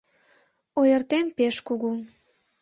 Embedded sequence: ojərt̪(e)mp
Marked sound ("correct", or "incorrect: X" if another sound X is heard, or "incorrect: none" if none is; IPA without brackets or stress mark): correct